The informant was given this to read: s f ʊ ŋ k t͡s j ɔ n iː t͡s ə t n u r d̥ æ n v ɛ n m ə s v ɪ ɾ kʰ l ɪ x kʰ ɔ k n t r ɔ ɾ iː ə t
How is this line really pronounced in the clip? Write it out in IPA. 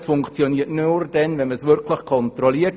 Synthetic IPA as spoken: s f ʊ ŋ k t͡s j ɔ n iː ə t n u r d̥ ɛ n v ɛ n m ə s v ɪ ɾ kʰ l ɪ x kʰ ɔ n t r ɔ l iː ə t